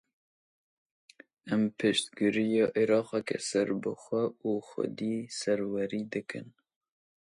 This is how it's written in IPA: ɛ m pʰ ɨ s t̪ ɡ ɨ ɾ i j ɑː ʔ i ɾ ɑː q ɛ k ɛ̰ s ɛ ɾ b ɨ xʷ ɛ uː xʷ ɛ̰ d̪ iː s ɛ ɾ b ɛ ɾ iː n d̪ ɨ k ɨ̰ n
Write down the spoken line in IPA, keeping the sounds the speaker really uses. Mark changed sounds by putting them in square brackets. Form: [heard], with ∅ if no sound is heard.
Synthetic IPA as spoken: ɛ m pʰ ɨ [ʃ] t̪ ɡ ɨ ɾ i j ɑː ʔ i ɾ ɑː q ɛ k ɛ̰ s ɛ ɾ b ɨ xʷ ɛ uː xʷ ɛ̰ d̪ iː s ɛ ɾ [w] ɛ ɾ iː [∅] d̪ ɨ k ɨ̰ n